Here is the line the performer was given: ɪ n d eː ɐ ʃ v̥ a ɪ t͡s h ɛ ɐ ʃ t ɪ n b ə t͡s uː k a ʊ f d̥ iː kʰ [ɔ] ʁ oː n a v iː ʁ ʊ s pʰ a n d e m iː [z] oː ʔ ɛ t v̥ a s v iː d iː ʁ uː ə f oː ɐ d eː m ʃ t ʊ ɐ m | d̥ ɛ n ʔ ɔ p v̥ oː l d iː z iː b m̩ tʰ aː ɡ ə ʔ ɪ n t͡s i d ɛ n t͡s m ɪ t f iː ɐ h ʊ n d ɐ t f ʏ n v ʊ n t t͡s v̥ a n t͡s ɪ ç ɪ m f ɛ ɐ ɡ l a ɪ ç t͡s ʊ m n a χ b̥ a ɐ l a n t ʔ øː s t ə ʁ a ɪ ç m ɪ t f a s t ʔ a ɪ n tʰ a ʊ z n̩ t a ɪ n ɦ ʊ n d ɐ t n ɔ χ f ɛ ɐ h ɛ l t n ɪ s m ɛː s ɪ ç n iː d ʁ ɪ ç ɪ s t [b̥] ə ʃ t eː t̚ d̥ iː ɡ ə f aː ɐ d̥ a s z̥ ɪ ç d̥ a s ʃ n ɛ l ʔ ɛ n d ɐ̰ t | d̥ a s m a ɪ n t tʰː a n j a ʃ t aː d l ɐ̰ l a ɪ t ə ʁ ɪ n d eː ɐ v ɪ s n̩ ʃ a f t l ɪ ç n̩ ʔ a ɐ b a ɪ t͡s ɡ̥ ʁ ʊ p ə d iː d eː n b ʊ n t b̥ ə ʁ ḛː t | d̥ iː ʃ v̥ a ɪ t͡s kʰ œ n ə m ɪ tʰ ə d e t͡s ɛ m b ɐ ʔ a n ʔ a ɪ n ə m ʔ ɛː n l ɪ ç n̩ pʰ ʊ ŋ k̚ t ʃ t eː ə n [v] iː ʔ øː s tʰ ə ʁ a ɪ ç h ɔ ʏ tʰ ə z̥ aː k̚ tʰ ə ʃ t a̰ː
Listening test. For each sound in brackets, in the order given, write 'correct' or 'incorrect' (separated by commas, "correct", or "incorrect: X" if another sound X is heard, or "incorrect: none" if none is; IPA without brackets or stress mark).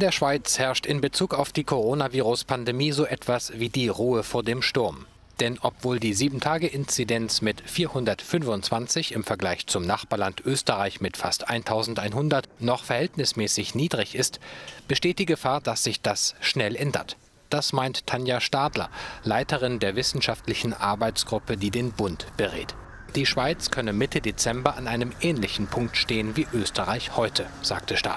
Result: incorrect: o, correct, correct, correct